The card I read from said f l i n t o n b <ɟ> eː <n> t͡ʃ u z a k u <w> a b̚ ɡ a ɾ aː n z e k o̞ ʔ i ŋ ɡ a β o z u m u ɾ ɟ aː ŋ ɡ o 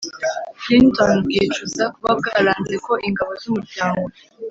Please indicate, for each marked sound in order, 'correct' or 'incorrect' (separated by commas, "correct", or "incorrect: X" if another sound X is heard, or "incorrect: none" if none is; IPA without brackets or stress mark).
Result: incorrect: ɡ, incorrect: none, incorrect: β